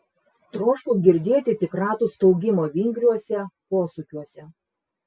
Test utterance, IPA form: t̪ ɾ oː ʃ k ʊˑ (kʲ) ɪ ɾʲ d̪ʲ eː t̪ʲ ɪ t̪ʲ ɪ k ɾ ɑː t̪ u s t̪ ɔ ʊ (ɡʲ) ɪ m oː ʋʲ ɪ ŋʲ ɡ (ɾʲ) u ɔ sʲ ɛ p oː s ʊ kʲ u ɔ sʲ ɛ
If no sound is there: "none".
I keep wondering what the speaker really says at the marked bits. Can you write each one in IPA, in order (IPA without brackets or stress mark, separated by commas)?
ɡʲ, ɡʲ, ɾʲ